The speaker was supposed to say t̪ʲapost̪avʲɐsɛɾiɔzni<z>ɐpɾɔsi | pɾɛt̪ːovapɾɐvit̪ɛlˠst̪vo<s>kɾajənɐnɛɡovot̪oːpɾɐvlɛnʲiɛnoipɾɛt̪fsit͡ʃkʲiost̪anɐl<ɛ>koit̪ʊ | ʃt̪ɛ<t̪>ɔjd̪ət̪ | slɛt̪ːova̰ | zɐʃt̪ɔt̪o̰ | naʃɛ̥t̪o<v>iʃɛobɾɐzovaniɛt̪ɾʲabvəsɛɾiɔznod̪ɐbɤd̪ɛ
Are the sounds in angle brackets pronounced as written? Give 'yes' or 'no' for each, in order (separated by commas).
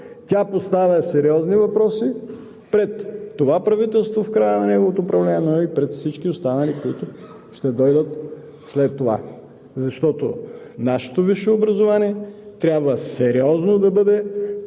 no, no, no, no, yes